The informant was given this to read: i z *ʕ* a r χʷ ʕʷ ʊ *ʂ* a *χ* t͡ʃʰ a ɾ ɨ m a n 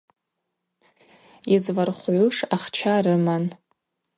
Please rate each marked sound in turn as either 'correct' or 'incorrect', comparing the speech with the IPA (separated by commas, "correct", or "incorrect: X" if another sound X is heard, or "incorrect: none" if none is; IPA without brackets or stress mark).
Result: incorrect: v, correct, correct